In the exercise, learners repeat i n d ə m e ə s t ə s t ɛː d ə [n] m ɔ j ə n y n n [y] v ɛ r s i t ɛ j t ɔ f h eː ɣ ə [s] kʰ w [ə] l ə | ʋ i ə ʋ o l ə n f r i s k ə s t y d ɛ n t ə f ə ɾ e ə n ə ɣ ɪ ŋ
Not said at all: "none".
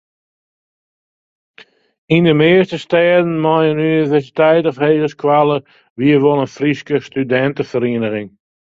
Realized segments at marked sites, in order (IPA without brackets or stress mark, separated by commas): n, i, s, a